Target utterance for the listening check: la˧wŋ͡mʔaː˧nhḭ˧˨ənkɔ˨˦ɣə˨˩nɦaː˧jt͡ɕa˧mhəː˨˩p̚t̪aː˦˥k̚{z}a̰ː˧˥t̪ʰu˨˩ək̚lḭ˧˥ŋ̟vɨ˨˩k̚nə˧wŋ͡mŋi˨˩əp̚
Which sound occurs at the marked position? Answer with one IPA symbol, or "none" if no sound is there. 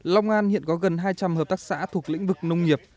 s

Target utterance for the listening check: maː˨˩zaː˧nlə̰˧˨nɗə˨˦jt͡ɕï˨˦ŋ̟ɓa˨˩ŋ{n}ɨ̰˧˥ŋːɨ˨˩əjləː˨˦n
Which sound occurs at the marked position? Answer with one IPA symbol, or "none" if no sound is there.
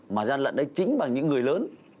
ɲ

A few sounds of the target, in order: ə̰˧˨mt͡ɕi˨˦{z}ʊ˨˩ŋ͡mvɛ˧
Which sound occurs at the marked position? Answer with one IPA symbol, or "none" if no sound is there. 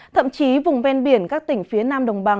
v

